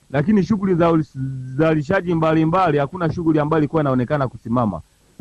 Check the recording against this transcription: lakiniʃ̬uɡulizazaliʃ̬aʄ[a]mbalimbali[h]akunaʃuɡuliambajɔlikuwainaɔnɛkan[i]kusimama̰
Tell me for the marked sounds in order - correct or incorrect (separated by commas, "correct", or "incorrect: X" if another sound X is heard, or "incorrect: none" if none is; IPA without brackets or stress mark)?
incorrect: i, correct, incorrect: a